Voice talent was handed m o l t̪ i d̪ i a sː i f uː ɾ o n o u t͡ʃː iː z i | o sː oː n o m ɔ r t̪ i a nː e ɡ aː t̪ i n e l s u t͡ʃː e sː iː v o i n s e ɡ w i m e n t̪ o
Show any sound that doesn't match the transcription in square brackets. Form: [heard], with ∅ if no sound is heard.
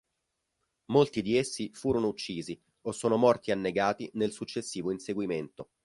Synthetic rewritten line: m o l t̪ i d̪ i [e] sː i f uː ɾ o n o u t͡ʃː iː z i | o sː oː n o m ɔ r t̪ i a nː e ɡ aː t̪ i n e l s u t͡ʃː e sː iː v o i n s e ɡ w i m e n t̪ o

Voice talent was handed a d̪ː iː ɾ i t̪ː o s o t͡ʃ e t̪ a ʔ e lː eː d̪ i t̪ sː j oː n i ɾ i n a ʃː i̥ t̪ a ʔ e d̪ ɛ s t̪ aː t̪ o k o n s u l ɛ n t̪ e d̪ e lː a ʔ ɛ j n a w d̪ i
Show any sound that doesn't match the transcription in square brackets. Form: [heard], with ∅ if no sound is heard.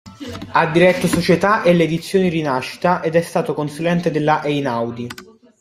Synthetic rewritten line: a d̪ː [i] ɾ [ɛ] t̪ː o s o t͡ʃ e t̪ a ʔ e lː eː d̪ i t̪ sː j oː n i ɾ i n a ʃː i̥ t̪ a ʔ e d̪ ɛ s t̪ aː t̪ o k o n s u l ɛ n t̪ e d̪ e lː a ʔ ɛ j n a w d̪ i

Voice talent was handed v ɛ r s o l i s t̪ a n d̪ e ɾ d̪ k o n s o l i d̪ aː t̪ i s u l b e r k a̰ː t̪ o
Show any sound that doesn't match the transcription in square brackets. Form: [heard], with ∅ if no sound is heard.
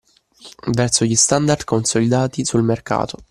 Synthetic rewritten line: v ɛ r s o [ʎ] i s t̪ a n d̪ [a] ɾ d̪ k o n s o l i d̪ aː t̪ i s u l [m] e r k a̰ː t̪ o

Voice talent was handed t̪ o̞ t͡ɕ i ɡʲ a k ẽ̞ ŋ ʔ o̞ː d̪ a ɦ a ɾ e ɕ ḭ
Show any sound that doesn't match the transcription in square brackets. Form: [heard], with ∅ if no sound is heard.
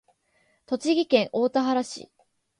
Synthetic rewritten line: t̪ o̞ t͡ɕ i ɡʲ [i] k ẽ̞ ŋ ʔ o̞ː [t̪] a ɦ a ɾ [a] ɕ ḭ

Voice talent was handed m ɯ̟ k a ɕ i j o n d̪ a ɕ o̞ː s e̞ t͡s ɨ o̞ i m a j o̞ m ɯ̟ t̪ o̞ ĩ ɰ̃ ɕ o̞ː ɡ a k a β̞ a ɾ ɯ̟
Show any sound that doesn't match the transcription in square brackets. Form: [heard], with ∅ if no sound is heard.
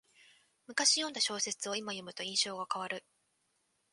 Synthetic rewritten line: m ɯ̟ k a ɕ i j o n d̪ a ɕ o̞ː s e̞ t͡s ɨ o̞ i m a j o̞ m ɯ̟ t̪ o̞ ĩ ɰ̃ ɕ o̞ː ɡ a k a β̞ a ɾ ɯ̟

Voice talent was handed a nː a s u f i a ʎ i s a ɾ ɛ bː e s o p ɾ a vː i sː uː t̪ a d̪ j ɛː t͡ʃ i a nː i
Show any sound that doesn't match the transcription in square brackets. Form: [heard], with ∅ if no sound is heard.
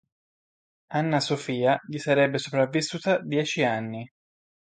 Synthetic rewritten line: a nː a s [o] f [iː] a ʎ i s a ɾ ɛ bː e s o p ɾ a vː i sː uː t̪ a d̪ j ɛː t͡ʃ i a nː i

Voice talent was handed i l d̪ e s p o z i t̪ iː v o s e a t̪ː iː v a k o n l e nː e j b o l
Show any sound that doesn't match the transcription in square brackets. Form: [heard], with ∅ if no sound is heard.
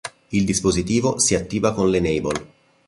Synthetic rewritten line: i l d̪ [i] s p o z i t̪ iː v o s [i] a t̪ː iː v a k o n l e [n] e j b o l

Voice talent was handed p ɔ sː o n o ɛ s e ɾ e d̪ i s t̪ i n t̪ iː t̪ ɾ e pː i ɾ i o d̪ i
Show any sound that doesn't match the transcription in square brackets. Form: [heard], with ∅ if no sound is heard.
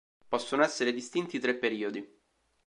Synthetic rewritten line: p ɔ sː o n o ɛ [sː] e ɾ e d̪ i s t̪ i n t̪ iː t̪ ɾ e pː [e] ɾ [iː] o d̪ i

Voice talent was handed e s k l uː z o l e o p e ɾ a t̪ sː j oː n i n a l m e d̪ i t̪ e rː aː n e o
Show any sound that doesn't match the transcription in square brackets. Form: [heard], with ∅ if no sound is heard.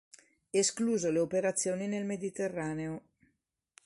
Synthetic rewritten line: e s k l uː z o l e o p e ɾ a t̪ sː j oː n i n [e] l m e d̪ i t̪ e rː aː n e o

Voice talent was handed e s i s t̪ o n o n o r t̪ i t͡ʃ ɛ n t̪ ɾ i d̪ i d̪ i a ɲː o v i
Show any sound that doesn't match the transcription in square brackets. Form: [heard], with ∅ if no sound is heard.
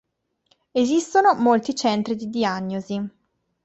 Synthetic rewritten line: e [z] i s t̪ o n o [m] o [l] t̪ i t͡ʃ ɛ n t̪ ɾ i d̪ i d̪ i a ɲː o [z] i

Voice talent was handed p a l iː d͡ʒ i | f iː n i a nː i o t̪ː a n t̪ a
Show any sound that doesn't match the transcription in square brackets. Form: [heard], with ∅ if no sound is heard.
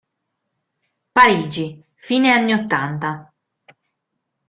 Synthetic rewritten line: p a [ɾ] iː d͡ʒ i | f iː n [e] a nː i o t̪ː a n t̪ a

